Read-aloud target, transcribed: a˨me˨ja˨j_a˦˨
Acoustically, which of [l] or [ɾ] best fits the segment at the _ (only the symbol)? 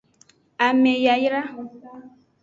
ɾ